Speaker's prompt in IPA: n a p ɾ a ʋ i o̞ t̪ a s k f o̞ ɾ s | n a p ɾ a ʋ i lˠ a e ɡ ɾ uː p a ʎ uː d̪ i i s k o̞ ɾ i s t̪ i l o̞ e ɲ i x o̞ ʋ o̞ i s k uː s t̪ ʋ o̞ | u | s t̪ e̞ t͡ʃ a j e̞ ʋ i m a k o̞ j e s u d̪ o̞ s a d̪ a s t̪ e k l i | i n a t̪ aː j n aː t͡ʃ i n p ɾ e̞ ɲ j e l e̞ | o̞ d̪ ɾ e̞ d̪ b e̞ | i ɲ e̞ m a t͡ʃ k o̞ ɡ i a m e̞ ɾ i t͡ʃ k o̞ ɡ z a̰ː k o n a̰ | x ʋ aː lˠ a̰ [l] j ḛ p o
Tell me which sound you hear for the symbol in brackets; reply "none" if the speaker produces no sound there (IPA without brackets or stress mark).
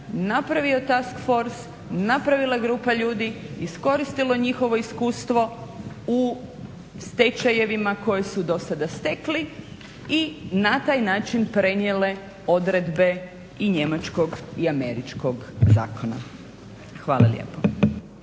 l